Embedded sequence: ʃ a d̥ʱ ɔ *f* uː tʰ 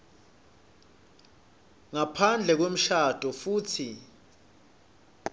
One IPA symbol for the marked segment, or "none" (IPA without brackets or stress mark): f